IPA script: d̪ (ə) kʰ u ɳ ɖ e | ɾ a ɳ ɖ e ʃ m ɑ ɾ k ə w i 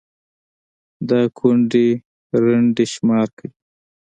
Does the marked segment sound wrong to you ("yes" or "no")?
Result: yes